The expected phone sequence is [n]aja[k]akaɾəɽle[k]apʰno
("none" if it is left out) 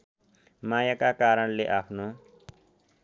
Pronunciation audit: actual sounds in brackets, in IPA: m, k, ʔ

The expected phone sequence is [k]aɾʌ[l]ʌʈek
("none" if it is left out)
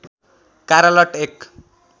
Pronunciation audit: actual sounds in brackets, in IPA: k, l

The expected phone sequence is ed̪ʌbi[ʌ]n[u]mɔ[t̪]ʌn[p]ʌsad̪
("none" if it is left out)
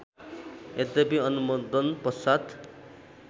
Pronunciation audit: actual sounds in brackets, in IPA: ʌ, u, d̪, p

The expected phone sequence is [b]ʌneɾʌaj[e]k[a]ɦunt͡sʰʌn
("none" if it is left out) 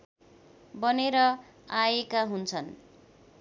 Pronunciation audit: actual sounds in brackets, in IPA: b, e, a

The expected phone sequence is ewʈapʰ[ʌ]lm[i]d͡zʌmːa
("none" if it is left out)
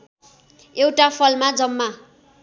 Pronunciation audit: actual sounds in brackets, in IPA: ʌ, a

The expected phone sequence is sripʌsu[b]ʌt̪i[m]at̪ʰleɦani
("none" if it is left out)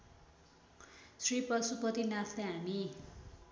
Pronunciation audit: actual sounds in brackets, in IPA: p, n

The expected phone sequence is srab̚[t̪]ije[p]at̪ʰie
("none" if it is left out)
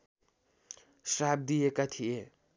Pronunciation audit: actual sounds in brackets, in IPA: d̪, k

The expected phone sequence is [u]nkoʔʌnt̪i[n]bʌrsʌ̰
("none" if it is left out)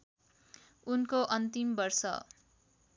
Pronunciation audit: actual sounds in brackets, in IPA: u, m

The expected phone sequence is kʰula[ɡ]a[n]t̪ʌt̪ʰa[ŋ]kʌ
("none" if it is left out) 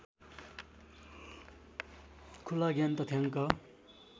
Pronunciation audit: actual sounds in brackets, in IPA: ɡ, n, ŋ

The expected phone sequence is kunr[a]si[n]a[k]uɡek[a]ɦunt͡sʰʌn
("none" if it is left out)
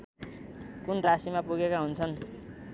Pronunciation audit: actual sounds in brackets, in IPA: a, m, p, a

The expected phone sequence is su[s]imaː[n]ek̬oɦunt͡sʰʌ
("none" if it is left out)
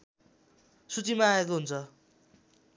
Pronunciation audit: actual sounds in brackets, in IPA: t͡s, none

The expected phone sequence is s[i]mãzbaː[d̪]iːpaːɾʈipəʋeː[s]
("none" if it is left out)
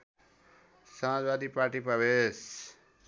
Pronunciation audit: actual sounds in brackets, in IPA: a, d̪, s

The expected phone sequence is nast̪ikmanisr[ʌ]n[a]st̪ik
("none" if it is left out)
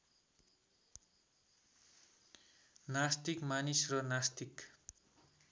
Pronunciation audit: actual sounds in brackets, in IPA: ʌ, a

